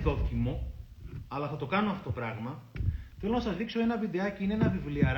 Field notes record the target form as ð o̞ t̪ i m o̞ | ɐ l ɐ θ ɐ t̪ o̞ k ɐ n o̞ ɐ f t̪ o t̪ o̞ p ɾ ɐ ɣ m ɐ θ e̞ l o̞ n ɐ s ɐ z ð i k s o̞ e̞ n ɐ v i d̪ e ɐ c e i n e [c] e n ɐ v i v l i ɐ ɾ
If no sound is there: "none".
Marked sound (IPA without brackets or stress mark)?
none